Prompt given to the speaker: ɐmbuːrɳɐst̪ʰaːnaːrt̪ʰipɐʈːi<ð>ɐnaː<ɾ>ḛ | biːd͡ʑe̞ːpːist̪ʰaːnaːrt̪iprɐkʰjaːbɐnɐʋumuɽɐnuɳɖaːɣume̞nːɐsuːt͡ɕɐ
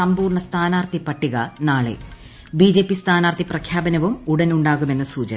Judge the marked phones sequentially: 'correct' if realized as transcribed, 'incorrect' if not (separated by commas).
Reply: incorrect, incorrect